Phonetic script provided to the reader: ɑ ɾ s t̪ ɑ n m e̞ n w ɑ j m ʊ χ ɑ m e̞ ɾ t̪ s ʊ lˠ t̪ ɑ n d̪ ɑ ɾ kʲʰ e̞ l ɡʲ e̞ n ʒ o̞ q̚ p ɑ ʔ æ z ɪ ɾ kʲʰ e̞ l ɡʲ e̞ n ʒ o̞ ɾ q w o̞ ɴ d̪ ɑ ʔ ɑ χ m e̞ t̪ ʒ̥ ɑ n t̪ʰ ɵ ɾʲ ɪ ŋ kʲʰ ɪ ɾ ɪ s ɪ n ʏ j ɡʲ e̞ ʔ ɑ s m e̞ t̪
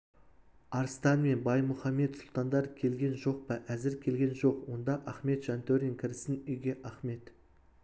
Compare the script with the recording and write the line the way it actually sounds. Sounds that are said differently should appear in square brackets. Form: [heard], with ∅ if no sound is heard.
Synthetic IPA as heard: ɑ ɾ s t̪ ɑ n m e̞ n [b] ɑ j m ʊ χ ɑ m e̞ [∅] t̪ s ʊ lˠ t̪ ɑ n d̪ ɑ ɾ kʲʰ e̞ l ɡʲ e̞ n ʒ o̞ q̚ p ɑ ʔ æ z ɪ ɾ kʲʰ e̞ l ɡʲ e̞ n ʒ o̞ [∅] q w o̞ [n] d̪ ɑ ʔ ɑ χ m e̞ t̪ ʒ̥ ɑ n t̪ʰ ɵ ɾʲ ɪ ŋ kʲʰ ɪ ɾ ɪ s ɪ n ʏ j ɡʲ e̞ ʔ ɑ [χ] m e̞ t̪